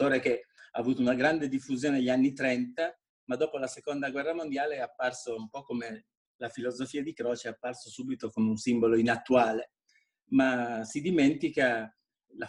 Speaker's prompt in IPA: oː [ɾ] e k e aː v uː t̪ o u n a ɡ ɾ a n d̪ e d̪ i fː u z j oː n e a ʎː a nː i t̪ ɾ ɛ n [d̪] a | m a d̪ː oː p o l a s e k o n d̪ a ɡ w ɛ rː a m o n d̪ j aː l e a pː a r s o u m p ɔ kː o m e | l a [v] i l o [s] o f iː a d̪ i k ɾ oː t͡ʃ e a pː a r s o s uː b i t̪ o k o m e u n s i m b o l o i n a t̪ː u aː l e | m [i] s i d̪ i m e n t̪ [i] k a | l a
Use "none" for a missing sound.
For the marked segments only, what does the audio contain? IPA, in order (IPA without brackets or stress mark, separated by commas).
ɾ, t̪, f, z, a, i